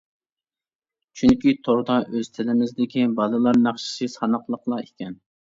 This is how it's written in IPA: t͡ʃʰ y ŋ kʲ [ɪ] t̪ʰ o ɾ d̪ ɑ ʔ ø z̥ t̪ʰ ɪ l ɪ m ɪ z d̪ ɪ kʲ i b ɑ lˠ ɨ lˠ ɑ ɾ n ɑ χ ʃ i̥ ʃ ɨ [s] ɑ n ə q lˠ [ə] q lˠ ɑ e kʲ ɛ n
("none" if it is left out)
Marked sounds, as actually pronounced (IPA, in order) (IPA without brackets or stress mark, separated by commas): i, s, ə